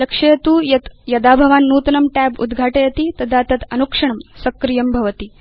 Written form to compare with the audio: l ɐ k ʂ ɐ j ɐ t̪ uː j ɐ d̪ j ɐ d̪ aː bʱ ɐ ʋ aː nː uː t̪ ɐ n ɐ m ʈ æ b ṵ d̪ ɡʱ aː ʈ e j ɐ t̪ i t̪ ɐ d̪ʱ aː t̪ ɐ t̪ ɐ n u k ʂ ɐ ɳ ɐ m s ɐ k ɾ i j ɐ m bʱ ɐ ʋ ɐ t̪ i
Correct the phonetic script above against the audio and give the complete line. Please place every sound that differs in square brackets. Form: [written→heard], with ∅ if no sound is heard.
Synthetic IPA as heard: l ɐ k ʂ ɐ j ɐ t̪ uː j ɐ [d̪→t̪] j ɐ d̪ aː bʱ ɐ ʋ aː nː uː t̪ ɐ n ɐ m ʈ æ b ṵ d̪ ɡʱ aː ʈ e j ɐ t̪ i t̪ ɐ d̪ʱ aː t̪ ɐ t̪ ɐ n u k ʂ ɐ ɳ ɐ m s ɐ k ɾ i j ɐ m bʱ ɐ ʋ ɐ t̪ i